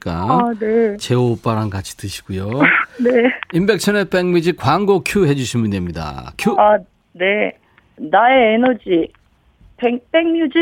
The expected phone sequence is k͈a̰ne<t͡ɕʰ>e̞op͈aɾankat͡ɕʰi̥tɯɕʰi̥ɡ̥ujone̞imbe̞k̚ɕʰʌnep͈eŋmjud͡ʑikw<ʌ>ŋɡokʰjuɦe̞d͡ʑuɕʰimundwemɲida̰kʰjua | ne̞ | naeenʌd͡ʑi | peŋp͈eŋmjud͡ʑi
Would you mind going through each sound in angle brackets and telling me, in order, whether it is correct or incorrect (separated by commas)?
incorrect, incorrect